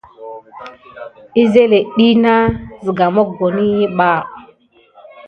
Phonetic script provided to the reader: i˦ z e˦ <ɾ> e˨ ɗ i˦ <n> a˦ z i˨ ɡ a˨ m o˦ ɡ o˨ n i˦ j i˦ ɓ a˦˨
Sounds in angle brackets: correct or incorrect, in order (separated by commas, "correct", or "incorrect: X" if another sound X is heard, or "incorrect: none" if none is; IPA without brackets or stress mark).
incorrect: l, correct